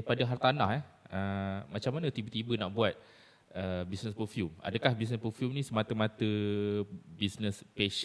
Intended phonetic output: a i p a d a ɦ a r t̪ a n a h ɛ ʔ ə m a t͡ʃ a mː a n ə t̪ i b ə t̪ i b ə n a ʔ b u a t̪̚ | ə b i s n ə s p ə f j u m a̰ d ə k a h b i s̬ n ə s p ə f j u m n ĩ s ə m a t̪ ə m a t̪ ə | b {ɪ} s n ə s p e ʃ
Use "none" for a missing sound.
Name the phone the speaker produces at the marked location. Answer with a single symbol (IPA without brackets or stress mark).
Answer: i